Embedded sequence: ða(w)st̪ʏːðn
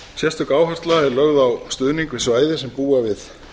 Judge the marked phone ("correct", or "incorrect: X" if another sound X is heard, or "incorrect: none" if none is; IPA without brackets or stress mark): correct